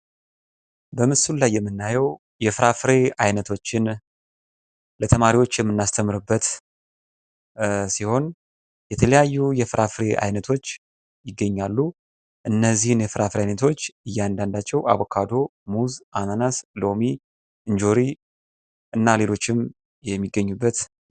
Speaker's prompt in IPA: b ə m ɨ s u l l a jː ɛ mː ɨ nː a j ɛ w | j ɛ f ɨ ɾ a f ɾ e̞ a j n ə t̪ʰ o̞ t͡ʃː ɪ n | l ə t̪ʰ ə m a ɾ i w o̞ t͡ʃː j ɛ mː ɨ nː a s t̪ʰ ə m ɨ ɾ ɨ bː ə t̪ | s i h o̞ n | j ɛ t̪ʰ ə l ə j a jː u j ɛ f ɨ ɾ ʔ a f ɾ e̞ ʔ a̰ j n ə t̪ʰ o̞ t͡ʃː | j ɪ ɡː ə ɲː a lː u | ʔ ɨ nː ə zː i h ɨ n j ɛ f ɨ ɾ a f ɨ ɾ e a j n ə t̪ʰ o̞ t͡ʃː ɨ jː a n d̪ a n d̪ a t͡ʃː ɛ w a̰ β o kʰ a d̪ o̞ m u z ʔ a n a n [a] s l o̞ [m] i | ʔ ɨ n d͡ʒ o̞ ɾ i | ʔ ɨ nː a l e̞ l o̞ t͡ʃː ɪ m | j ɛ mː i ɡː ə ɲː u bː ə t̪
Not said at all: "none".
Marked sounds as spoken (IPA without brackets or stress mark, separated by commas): a, m